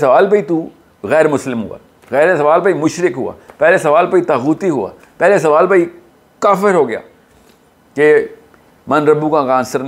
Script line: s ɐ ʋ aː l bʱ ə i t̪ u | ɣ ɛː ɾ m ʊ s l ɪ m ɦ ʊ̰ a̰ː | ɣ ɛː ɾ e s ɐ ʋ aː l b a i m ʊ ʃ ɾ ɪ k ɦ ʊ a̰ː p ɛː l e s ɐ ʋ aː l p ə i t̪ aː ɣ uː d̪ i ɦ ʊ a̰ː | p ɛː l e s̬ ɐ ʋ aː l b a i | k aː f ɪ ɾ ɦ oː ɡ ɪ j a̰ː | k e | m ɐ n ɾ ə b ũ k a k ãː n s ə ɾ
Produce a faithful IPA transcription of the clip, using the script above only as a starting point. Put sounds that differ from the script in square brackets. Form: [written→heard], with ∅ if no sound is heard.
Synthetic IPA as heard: s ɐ ʋ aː l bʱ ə i t̪ u | ɣ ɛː ɾ m ʊ s l ɪ m ɦ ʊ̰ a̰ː | ɣ ɛː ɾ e s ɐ ʋ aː l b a i m ʊ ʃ ɾ ɪ k ɦ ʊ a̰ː p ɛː l e s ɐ ʋ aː l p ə i t̪ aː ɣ uː [d̪→t̪] i ɦ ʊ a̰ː | p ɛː l e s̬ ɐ ʋ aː l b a i | k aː f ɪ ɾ ɦ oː ɡ ɪ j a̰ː | k e | m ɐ n ɾ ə b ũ k a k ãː n s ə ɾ